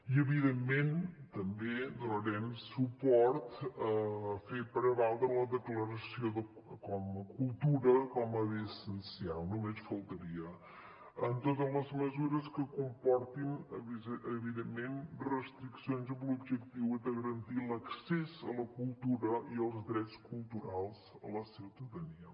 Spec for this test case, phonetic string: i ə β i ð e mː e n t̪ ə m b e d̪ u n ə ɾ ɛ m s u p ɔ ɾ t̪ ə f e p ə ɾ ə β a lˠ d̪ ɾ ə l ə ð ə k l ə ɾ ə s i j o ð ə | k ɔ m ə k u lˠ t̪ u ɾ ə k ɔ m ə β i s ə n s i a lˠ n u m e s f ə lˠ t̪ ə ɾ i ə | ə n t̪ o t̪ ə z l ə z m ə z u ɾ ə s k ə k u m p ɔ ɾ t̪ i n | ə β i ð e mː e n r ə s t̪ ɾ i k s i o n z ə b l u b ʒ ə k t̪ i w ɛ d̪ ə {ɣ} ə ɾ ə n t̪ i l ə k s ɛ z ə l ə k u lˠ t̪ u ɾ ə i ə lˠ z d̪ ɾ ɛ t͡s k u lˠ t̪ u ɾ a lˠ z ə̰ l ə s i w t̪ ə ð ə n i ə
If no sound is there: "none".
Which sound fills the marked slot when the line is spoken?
ɣ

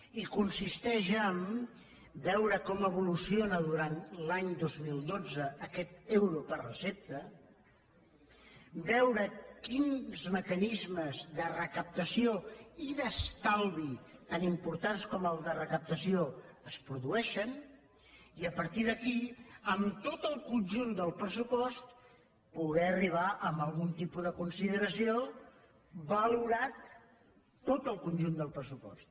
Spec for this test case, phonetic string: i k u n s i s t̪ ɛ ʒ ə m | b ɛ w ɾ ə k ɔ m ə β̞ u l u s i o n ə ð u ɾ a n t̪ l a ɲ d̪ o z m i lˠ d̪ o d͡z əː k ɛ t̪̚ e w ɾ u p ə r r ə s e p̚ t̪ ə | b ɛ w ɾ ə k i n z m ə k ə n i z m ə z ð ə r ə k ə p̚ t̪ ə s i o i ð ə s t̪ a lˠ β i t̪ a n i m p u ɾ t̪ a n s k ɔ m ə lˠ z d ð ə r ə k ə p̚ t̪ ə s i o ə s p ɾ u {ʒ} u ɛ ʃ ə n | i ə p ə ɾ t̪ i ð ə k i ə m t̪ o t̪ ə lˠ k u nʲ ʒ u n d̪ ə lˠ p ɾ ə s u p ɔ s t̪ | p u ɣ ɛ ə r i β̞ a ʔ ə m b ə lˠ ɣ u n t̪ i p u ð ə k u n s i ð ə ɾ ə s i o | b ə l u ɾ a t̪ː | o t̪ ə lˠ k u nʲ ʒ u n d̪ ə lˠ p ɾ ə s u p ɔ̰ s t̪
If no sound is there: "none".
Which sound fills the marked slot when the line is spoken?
ð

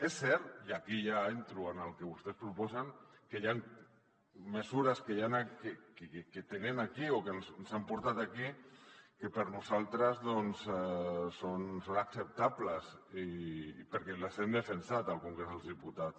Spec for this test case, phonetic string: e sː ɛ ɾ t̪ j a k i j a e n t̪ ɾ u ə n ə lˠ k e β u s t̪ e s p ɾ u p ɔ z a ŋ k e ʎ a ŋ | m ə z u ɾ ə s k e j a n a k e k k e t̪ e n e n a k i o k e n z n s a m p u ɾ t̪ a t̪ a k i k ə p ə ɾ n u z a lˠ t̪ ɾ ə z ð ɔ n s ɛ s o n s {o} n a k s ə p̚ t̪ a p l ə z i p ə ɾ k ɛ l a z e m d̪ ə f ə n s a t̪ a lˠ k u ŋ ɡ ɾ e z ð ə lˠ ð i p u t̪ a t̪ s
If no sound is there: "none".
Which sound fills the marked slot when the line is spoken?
o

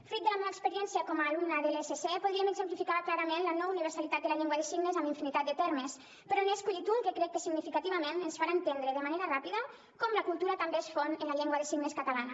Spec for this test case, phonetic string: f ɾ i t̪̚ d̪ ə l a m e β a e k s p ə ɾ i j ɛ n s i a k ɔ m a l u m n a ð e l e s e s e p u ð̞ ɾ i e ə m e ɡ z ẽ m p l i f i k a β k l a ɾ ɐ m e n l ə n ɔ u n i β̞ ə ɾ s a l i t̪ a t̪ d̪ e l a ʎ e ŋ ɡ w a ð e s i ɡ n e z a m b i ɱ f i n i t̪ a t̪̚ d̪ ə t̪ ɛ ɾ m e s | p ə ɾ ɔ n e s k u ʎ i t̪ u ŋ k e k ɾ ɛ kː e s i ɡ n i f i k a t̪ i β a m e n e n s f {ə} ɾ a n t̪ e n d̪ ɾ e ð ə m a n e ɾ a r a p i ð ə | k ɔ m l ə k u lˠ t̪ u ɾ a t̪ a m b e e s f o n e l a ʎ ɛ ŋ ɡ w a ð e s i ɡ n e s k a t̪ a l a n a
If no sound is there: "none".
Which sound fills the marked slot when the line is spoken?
a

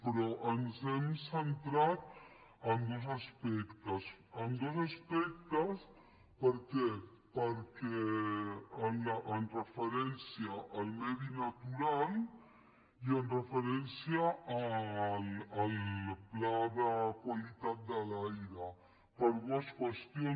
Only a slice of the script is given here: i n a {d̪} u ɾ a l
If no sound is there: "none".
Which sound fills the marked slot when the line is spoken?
t̪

